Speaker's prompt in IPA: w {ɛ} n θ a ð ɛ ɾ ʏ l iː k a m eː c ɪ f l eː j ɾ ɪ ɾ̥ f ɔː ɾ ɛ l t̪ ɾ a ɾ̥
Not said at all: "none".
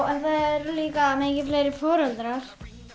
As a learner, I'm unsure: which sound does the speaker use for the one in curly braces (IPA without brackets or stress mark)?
ɛ